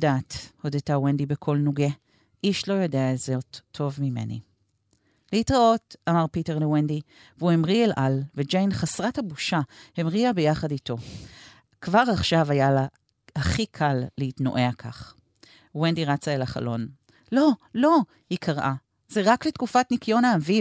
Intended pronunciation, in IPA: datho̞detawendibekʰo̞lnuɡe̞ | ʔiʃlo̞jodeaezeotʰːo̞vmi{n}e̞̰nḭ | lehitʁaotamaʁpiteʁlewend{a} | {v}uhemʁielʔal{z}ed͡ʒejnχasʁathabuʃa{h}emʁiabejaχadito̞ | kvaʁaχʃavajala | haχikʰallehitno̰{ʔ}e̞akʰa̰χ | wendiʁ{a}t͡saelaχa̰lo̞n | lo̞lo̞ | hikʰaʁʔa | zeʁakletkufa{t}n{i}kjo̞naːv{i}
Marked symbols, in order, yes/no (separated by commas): no, no, yes, no, yes, yes, yes, yes, yes, yes